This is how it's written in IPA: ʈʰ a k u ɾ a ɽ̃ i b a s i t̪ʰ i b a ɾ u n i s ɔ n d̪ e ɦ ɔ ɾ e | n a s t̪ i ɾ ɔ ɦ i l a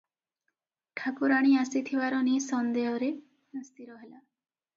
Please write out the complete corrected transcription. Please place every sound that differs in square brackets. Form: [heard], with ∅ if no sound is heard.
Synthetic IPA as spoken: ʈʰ a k u ɾ a ɽ̃ i [∅] a s i t̪ʰ i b a ɾ [ɔ] n i s ɔ n d̪ e ɦ ɔ ɾ e | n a s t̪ i ɾ ɔ ɦ [e] l a